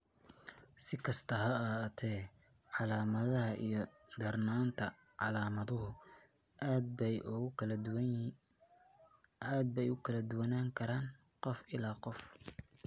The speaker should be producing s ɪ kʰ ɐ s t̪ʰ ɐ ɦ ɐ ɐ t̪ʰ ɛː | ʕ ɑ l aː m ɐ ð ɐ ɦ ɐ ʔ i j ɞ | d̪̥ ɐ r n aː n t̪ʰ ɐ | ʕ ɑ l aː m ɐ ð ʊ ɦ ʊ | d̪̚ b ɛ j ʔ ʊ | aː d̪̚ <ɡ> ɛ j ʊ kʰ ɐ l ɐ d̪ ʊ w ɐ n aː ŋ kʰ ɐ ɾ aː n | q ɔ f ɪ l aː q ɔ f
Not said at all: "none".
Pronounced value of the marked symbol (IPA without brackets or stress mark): b